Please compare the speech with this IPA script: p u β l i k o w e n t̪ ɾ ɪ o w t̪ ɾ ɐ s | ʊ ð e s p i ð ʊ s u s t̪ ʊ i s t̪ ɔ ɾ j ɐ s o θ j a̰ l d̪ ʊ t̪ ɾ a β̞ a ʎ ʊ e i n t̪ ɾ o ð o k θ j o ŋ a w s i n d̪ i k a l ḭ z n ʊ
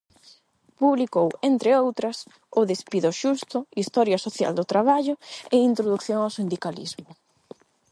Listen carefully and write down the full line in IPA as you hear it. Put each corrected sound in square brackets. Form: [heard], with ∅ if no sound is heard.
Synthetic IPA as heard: p u β l i k o w e n t̪ ɾ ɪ o w t̪ ɾ ɐ s | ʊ ð e s p i ð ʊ [ʃ] u s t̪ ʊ i s t̪ ɔ ɾ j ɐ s o θ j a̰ l d̪ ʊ t̪ ɾ a β̞ a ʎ ʊ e i n t̪ ɾ o ð [u] k θ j o ŋ a w s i n d̪ i k a l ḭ z [m] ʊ